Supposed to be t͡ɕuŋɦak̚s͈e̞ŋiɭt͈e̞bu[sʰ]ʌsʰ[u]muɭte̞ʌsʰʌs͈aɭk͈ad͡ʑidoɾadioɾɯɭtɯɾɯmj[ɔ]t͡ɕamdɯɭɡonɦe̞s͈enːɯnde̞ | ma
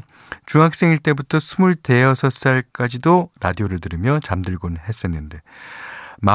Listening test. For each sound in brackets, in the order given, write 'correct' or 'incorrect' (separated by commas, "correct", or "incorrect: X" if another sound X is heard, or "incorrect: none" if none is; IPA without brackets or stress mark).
incorrect: tʰ, correct, incorrect: ʌ